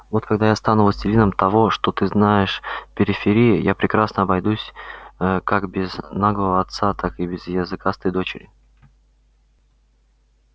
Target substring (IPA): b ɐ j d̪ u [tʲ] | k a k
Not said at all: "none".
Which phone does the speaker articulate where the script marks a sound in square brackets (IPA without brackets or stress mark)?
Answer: sʲ